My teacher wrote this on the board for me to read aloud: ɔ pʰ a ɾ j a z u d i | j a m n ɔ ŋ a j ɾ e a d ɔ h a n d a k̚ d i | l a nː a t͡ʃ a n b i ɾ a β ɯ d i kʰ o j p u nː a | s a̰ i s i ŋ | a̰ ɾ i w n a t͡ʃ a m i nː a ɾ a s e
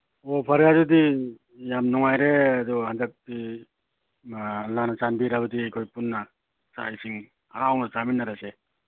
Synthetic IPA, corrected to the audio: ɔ pʰ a ɾ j a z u d i | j a m n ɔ ŋ a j ɾ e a d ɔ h a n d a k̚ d i | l a n a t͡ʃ a n b i ɾ a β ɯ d i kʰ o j p u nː a | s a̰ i s i ŋ | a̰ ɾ a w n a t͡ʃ a m i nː a ɾ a s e